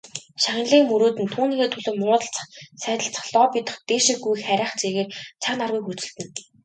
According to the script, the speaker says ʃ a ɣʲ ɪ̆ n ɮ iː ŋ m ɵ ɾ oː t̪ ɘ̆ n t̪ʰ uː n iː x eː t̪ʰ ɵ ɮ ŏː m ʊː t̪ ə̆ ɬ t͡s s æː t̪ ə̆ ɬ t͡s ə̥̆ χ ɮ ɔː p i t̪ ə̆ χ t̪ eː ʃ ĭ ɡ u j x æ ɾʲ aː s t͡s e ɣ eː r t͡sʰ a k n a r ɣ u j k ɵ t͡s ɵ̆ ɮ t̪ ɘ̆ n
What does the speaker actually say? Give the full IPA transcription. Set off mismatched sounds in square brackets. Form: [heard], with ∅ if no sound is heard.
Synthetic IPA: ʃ a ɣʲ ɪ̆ n ɮ iː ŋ m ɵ ɾ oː t̪ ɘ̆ n t̪ʰ uː n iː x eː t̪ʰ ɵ ɮ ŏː m ʊː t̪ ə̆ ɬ t͡s s æː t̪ ə̆ ɬ t͡s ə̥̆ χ ɮ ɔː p i t̪ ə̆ χ t̪ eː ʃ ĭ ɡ u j x æ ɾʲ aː [χ] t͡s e ɣ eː r t͡sʰ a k n a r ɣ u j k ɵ t͡s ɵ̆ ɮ t̪ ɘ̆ n